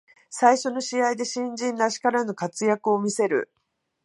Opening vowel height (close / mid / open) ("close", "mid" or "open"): open